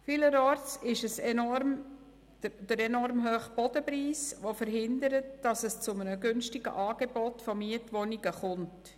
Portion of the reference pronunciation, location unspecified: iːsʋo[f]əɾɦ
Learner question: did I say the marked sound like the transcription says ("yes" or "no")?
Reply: yes